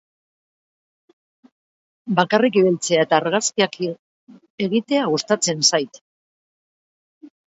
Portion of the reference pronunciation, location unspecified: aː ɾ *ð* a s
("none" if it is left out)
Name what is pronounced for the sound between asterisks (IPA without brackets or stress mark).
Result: ɣ